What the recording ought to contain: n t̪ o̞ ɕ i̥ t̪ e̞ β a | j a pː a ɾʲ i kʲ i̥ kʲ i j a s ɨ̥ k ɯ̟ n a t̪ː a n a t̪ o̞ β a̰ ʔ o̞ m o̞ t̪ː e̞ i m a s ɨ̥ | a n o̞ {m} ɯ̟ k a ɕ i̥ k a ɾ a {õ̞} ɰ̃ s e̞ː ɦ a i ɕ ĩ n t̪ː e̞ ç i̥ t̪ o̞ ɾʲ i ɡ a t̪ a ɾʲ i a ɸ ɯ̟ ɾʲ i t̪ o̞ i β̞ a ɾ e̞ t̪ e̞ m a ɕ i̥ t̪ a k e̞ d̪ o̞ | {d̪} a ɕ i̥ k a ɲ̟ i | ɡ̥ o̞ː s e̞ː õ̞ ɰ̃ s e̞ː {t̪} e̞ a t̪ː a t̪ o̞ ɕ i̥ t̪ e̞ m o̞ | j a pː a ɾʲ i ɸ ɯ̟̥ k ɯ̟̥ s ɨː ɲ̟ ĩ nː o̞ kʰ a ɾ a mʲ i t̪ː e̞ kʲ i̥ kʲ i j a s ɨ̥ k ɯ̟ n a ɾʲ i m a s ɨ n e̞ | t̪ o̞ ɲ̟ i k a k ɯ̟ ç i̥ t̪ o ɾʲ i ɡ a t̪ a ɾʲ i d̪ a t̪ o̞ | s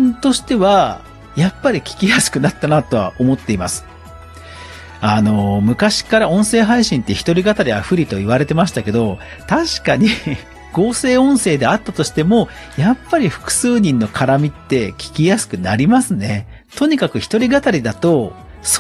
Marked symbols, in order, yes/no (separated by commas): yes, yes, no, no